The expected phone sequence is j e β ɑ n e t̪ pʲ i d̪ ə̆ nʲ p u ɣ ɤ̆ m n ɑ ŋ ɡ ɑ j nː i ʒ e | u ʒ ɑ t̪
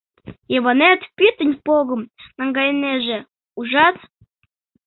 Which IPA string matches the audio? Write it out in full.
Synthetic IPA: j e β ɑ n e t̪ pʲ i t̪ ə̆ nʲ p o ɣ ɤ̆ m n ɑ ŋ ɡ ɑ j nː e ʒ e | u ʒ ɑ t̪